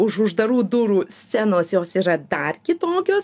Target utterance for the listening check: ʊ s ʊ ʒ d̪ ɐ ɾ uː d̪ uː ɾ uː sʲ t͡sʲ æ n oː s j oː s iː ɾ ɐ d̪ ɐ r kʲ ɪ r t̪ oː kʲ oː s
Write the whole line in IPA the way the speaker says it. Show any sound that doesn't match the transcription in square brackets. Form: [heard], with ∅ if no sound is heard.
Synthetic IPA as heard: ʊ [ʃ] ʊ ʒ d̪ ɐ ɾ uː d̪ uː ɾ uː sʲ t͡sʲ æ n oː s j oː s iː ɾ ɐ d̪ ɐ r kʲ ɪ [∅] t̪ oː kʲ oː s